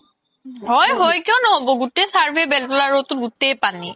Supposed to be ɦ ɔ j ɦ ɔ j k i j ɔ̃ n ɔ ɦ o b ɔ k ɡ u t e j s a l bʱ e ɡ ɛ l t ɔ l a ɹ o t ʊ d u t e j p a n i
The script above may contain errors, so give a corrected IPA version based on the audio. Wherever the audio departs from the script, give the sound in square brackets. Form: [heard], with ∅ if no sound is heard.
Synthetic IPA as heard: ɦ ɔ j ɦ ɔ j k i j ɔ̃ n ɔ ɦ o b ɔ [∅] ɡ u t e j s a [ɹ] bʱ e [b] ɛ l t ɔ l a ɹ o t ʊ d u t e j p a n i